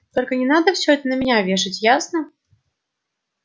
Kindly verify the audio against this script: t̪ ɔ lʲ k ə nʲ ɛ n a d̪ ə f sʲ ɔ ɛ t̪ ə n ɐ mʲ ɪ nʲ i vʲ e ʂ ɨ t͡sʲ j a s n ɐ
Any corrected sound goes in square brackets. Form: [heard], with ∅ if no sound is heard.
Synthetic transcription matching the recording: t̪ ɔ lʲ k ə nʲ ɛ n a d̪ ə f sʲ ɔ ɛ t̪ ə n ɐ mʲ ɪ nʲ [a] vʲ e ʂ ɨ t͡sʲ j a s n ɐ